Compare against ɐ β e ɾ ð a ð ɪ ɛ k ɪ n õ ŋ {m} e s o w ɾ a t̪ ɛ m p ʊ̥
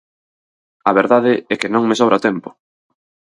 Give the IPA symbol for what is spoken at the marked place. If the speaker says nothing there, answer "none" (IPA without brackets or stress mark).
m